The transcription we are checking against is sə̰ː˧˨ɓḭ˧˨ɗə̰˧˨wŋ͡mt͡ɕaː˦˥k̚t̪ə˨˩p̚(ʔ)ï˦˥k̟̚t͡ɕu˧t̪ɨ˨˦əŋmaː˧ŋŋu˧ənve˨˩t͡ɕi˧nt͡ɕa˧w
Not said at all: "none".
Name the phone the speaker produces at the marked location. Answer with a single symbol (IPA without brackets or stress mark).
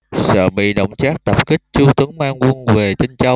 k